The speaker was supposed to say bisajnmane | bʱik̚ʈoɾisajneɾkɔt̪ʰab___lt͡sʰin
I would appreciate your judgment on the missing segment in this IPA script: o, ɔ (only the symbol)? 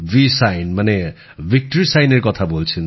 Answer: o